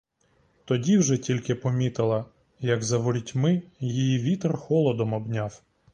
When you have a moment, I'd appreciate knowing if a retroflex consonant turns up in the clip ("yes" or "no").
no